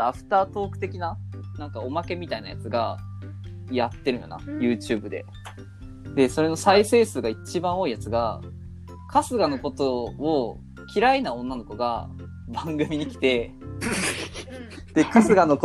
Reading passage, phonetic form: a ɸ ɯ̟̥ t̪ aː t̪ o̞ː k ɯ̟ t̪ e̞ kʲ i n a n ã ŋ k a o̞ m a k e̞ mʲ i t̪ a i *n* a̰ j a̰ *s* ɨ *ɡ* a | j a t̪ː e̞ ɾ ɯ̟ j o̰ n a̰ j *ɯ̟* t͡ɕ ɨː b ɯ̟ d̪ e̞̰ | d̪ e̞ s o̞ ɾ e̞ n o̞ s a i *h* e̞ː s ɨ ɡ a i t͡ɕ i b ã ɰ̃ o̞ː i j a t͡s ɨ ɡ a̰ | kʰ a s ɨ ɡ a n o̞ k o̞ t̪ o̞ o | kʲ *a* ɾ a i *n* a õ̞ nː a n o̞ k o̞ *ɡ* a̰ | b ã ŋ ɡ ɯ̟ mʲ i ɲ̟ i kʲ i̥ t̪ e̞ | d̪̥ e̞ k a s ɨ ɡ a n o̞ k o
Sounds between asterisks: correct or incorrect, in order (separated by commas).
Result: correct, incorrect, correct, incorrect, incorrect, incorrect, correct, correct